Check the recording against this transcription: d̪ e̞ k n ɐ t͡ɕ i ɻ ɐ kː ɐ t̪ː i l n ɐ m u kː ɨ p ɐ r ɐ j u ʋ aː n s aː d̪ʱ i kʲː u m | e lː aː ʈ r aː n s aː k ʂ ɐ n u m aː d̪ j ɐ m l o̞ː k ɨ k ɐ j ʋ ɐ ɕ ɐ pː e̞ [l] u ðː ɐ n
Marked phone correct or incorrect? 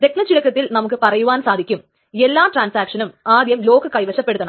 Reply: incorrect